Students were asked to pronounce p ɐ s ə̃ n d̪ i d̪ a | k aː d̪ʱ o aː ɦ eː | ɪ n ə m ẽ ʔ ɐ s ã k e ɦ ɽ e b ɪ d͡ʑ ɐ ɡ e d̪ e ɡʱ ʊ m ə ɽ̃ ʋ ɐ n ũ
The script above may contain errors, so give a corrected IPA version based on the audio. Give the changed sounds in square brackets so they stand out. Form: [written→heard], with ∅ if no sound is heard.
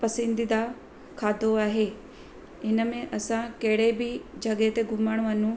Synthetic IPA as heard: p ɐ s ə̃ n d̪ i d̪ a | [k→kʰ] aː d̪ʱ o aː ɦ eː | ɪ n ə m ẽ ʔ ɐ s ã k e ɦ ɽ e b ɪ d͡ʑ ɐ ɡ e [d̪→t̪] e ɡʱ ʊ m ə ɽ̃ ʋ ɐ n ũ